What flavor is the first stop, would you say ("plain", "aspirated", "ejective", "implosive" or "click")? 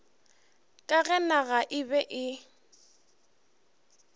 ejective